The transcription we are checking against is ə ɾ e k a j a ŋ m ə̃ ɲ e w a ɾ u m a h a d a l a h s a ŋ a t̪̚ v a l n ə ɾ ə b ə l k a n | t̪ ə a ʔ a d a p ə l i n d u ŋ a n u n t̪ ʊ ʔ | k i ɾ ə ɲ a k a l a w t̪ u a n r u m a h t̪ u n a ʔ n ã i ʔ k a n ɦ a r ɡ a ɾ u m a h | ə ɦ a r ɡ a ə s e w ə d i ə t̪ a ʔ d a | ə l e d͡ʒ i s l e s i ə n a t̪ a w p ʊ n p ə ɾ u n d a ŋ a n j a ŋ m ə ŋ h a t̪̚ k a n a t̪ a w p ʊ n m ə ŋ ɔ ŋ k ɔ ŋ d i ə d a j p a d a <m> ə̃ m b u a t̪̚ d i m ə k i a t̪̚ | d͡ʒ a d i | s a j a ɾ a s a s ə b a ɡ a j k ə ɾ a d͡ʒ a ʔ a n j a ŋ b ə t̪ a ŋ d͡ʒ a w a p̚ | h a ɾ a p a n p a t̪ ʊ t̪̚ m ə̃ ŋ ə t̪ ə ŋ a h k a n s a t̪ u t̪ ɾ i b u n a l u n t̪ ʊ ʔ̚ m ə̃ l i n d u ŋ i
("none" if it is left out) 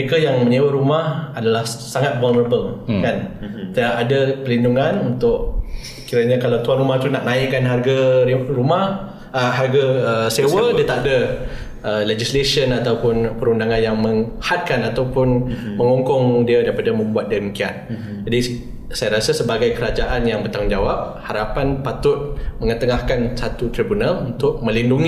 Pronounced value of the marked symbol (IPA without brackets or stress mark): m